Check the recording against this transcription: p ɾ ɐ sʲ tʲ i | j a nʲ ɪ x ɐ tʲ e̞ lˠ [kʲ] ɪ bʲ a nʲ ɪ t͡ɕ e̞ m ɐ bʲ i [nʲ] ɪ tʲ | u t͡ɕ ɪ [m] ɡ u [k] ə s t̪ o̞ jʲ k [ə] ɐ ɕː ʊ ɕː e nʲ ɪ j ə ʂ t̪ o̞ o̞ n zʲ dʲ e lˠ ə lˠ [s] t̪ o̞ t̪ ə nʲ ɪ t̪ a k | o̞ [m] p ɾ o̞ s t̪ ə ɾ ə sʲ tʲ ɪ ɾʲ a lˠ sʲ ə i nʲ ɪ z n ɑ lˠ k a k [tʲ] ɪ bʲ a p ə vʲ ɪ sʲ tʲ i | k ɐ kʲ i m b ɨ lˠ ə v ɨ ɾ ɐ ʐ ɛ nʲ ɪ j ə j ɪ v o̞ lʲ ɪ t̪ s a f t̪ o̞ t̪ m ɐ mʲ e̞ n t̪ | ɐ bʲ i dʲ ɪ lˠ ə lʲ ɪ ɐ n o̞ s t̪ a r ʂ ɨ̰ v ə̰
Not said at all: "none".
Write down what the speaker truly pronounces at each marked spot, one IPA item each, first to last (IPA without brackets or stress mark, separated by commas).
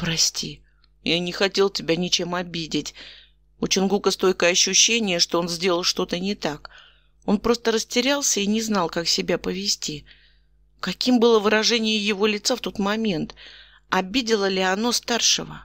tʲ, dʲ, n, k, ə, ʂ, n, sʲ